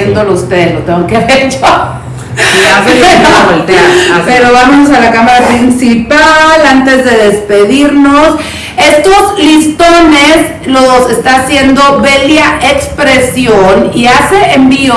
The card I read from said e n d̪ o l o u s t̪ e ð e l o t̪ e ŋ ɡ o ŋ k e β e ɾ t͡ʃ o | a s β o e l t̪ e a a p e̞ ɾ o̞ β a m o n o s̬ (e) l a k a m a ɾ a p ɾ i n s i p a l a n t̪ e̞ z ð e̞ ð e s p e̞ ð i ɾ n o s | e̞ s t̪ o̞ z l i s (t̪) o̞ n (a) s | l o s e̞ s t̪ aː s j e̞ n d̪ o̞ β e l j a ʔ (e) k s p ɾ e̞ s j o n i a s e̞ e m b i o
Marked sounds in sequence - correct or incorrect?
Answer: incorrect, correct, incorrect, correct

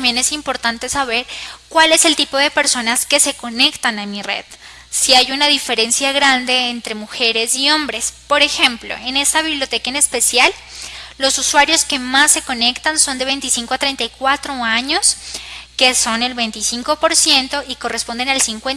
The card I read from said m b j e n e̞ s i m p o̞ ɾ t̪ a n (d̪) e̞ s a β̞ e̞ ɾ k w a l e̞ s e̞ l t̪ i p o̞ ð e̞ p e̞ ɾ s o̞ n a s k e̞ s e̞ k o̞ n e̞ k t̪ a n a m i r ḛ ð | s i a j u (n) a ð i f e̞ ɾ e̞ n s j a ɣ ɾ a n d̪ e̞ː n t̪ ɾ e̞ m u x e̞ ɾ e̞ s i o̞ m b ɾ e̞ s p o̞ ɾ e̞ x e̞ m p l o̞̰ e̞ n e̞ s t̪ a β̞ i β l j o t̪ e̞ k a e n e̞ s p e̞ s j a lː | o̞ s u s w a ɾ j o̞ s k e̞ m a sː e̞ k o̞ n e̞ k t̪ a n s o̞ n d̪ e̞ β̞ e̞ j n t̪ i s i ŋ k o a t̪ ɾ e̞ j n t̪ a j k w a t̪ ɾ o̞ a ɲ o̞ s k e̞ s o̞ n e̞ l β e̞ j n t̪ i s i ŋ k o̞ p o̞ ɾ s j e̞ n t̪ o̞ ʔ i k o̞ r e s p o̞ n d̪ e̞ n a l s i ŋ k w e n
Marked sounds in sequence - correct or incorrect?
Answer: incorrect, correct

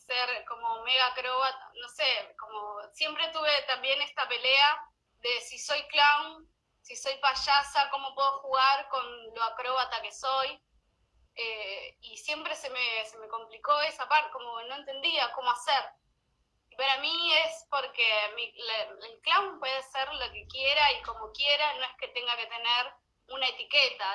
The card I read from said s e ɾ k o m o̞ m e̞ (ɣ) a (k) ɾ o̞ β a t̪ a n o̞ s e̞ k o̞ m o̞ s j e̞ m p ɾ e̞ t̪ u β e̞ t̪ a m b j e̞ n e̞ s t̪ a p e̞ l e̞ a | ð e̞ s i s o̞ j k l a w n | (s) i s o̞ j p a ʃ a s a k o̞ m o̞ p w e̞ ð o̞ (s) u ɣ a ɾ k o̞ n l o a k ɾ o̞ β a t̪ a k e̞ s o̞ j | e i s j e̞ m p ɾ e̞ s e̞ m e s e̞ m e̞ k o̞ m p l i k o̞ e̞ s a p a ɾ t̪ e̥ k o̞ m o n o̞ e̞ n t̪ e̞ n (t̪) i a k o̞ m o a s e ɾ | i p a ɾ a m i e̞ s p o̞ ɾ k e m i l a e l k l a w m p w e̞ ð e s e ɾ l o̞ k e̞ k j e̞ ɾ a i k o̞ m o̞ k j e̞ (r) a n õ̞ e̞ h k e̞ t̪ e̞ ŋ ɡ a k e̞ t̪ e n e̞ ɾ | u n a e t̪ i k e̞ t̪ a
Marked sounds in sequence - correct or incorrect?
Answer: correct, correct, correct, incorrect, incorrect, incorrect

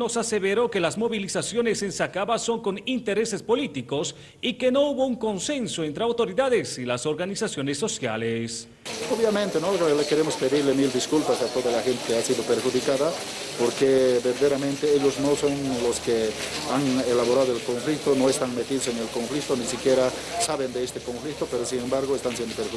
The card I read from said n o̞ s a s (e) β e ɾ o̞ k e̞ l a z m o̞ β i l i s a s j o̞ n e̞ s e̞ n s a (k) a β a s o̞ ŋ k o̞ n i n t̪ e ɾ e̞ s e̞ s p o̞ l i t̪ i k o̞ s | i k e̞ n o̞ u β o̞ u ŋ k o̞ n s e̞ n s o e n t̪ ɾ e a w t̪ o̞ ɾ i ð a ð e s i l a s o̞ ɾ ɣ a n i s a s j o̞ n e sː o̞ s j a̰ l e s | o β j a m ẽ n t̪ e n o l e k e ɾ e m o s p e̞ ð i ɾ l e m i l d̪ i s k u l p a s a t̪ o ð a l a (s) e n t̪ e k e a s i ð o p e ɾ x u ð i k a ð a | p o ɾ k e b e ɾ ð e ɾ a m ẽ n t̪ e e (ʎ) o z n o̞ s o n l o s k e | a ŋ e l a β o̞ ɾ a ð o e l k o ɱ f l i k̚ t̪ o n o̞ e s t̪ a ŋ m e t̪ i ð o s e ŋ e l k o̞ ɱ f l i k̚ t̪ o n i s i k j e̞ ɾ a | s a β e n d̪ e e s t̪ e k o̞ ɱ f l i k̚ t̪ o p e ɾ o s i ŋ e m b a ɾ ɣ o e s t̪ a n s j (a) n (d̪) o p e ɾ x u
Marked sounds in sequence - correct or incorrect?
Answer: correct, correct, incorrect, correct, incorrect, correct

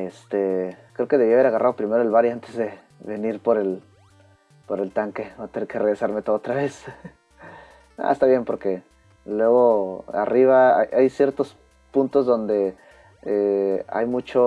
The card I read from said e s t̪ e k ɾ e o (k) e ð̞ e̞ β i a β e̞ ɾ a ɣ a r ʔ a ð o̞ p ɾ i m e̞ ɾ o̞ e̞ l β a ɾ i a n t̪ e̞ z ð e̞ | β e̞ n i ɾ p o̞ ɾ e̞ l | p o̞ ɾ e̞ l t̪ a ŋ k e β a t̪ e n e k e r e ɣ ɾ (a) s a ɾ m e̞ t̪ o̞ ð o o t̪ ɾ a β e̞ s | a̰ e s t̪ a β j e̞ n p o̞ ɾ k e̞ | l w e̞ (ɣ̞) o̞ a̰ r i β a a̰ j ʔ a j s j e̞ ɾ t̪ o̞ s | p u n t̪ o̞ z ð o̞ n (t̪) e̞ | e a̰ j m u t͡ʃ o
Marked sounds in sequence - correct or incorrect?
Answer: correct, incorrect, correct, incorrect

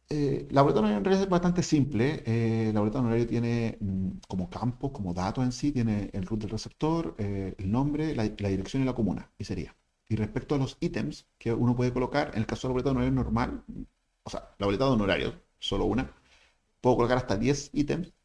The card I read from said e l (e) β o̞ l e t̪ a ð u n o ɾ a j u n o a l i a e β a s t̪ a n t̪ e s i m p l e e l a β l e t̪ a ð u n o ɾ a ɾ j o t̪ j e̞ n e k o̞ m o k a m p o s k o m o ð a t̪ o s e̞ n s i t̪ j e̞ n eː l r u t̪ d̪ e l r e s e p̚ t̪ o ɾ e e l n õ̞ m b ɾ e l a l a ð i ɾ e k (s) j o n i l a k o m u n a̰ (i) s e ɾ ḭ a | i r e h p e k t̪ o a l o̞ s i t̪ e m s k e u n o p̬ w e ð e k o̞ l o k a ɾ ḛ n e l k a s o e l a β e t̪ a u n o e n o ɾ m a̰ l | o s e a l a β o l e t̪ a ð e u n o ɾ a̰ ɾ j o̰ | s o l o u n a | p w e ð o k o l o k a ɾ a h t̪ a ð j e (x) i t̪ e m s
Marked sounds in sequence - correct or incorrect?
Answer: incorrect, correct, correct, incorrect

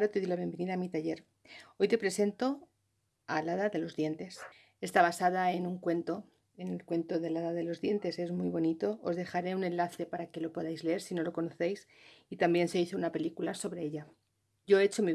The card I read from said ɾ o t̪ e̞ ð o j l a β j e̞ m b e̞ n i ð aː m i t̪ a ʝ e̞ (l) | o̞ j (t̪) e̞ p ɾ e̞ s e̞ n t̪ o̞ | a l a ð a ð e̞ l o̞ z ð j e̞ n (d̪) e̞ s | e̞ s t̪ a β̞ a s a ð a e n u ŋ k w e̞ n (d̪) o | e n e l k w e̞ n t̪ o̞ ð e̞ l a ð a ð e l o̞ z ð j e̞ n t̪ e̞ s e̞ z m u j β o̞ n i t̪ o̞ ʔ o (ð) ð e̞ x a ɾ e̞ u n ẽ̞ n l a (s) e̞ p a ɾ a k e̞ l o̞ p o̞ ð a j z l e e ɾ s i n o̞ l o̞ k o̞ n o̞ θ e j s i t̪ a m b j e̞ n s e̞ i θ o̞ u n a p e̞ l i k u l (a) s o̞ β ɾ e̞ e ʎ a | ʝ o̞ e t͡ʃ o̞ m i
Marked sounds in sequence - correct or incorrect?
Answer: incorrect, correct, incorrect, incorrect, incorrect, incorrect, correct

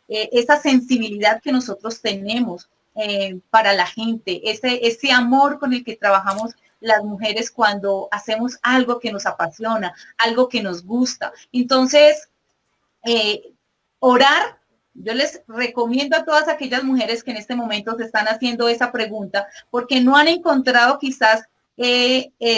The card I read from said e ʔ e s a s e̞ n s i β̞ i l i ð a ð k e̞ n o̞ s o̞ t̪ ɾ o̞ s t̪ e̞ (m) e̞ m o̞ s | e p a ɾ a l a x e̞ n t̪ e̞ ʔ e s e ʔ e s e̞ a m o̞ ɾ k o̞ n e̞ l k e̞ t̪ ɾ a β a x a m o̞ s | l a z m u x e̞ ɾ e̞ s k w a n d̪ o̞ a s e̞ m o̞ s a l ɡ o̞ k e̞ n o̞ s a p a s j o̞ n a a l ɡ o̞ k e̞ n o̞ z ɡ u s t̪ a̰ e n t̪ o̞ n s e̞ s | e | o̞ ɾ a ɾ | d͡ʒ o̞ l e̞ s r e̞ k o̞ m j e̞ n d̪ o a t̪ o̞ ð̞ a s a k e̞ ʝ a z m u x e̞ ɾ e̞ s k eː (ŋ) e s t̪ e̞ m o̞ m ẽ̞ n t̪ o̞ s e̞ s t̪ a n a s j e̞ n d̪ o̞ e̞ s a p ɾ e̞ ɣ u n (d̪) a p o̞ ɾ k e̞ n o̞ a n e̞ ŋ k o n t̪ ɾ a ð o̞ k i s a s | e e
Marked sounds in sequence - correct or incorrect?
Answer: incorrect, incorrect, incorrect

